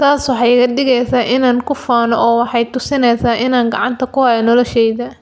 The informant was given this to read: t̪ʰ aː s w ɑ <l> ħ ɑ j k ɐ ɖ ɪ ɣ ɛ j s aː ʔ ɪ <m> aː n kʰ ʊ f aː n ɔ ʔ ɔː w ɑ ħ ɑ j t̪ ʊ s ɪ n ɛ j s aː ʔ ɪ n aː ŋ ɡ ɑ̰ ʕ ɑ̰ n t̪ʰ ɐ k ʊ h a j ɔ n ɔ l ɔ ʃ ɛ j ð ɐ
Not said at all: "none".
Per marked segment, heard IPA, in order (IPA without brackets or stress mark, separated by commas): none, n